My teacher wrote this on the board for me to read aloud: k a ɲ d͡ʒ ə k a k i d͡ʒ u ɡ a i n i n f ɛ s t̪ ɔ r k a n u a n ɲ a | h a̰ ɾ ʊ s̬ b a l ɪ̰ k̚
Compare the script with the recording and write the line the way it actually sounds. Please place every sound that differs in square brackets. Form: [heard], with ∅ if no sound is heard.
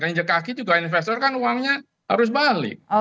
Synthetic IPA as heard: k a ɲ d͡ʒ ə k a k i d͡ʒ u ɡ a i n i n f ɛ s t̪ ɔ r k a n u a [ŋ] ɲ a | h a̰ ɾ ʊ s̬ b a l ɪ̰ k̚